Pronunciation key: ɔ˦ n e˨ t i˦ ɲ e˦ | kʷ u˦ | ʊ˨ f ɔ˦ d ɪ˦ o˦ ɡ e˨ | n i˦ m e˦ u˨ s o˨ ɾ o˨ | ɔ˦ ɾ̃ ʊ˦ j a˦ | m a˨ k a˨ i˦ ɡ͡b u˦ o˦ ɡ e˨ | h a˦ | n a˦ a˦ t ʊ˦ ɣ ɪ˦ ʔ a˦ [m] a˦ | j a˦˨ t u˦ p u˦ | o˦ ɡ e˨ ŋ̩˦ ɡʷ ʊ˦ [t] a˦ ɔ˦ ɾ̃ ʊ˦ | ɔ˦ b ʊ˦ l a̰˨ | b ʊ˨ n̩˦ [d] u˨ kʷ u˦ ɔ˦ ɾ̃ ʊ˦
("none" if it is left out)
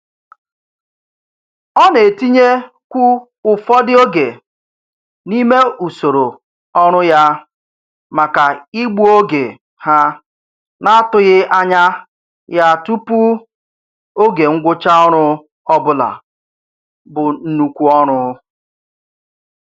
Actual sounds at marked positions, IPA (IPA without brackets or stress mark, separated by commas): ɲ, t͡ʃ, n